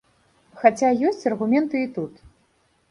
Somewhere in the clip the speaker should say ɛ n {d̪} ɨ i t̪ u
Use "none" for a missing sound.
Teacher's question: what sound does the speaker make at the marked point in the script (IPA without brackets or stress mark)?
t̪